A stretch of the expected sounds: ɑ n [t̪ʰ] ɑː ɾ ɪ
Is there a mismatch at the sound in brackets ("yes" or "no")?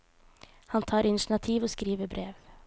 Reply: no